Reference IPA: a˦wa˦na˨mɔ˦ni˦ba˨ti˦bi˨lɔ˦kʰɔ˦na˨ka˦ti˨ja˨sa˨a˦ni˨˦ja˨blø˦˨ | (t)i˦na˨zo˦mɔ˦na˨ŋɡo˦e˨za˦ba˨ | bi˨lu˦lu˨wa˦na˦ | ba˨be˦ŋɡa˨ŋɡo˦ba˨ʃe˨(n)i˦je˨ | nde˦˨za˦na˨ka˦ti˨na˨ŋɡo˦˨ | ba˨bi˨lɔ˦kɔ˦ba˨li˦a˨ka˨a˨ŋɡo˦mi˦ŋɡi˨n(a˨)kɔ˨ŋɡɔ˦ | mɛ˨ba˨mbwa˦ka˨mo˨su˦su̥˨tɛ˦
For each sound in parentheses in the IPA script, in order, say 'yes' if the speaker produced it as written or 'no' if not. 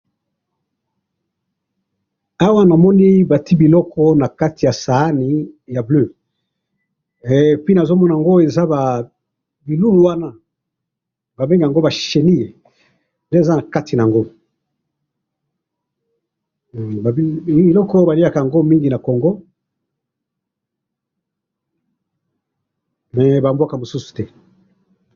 no, yes, yes

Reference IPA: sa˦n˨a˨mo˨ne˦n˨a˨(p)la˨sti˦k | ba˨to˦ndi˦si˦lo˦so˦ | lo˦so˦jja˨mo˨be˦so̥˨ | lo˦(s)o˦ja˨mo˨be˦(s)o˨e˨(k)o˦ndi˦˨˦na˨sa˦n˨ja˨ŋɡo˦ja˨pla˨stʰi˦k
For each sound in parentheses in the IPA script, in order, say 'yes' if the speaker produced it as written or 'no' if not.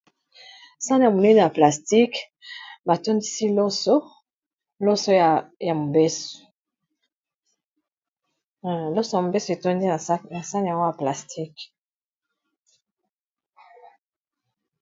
yes, yes, yes, no

